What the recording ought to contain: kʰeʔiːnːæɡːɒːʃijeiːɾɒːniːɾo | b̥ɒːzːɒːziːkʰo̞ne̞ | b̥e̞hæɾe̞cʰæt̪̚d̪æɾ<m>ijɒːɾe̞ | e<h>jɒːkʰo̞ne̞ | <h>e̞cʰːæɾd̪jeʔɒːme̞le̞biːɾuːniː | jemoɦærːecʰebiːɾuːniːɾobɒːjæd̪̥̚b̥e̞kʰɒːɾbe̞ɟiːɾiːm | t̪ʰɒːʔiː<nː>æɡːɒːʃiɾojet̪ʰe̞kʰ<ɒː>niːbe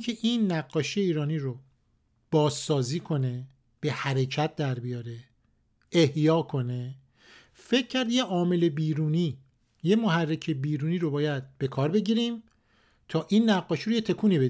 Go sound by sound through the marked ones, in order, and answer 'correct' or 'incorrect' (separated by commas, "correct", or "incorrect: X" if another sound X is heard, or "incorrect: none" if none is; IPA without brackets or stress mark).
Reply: incorrect: b, correct, incorrect: f, correct, incorrect: uː